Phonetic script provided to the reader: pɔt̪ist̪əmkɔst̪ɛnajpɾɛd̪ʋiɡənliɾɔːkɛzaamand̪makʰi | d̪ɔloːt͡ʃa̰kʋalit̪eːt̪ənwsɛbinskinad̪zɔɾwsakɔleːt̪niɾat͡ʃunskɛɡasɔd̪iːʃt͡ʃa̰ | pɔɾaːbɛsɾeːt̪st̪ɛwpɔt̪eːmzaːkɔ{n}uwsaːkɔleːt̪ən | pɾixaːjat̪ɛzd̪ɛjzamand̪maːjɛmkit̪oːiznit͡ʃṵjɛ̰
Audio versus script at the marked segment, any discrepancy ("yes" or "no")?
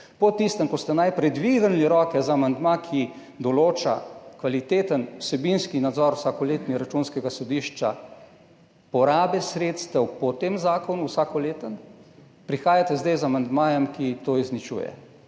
no